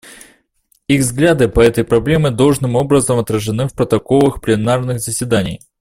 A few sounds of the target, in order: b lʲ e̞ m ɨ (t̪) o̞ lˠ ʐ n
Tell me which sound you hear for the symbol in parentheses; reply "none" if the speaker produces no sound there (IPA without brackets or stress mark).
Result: d̪